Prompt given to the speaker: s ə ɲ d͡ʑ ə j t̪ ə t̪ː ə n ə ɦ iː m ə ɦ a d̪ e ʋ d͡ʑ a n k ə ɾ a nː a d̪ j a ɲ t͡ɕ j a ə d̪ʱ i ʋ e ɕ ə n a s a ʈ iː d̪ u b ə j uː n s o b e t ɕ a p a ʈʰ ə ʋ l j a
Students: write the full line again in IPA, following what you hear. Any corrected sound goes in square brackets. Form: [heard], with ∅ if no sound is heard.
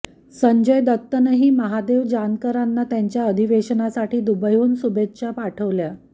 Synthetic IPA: s ə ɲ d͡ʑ ə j [d̪] ə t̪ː ə n ə ɦ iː m ə ɦ a d̪ e ʋ d͡ʑ a n k ə ɾ a nː a [t̪] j a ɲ t͡ɕ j a ə d̪ʱ i ʋ e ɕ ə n a s a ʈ iː d̪ u b ə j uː n s [u] b e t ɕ a p a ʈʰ ə ʋ l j a